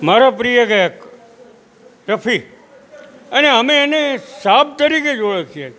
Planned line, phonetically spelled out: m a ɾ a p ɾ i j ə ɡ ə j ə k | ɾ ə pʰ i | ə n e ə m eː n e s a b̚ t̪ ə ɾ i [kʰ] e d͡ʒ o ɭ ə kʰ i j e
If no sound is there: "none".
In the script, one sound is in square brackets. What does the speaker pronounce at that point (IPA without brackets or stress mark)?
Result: k